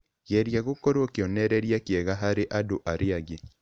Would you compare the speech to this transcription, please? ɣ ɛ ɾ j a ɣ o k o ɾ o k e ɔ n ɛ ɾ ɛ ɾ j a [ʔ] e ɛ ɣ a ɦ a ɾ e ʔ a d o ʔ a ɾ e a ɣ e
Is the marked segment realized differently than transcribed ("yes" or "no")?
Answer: yes